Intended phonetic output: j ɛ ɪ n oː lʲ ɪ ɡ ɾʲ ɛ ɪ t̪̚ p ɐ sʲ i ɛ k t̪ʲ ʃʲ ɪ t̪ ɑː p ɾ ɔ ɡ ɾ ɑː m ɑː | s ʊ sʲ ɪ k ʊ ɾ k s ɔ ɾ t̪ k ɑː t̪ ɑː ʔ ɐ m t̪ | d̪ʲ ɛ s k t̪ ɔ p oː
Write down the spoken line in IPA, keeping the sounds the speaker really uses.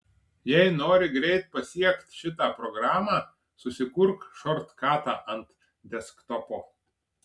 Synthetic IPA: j ɛ ɪ n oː ɾʲ ɪ ɡ ɾʲ ɛ ɪ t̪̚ p ɐ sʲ i ɛ k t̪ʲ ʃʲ ɪ t̪ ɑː p ɾ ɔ ɡ ɾ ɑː m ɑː | s ʊ sʲ ɪ k ʊ ɾ k ʃ ɔ ɾ t̪ k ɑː t̪ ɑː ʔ ɐ n t̪ | d̪ʲ ɛ s k t̪ ɔ p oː